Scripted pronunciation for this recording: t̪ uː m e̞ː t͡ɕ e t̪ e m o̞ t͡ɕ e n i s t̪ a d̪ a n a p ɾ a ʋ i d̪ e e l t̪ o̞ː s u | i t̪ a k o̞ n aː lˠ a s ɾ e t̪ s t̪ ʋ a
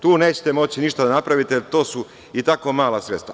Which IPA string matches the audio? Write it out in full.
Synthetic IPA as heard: t̪ uː n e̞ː t͡ɕ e t̪ e m o̞ t͡ɕ i n i ʃ t̪ a d̪ a n a p ɾ a ʋ i t̪ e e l t̪ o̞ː s u | i t̪ a k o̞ m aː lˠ a s ɾ e t̪ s t̪ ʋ a